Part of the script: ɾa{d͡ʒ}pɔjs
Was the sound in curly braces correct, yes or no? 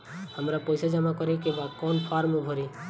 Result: no